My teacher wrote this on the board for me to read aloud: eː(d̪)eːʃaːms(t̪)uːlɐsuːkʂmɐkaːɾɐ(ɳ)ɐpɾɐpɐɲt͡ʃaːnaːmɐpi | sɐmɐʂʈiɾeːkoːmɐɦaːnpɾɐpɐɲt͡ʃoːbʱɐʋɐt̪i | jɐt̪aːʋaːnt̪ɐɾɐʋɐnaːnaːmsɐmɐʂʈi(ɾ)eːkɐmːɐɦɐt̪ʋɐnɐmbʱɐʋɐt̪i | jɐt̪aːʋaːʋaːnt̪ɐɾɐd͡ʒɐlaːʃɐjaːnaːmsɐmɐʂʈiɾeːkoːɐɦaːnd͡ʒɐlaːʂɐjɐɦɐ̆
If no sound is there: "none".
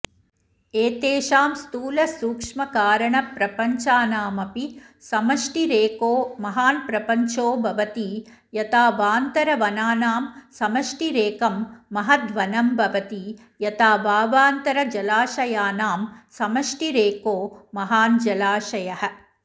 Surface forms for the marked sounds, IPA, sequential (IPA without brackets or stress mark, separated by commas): t̪, t̪, ɳ, ɾ